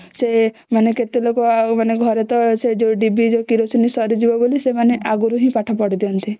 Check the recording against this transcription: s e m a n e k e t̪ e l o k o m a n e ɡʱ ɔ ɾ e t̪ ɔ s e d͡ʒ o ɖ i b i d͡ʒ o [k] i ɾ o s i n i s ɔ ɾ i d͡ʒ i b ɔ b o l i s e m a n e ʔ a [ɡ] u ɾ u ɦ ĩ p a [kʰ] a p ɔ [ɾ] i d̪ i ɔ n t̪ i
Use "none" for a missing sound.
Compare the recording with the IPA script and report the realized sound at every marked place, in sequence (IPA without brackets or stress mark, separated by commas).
k, ɡ, ʈʰ, ɽ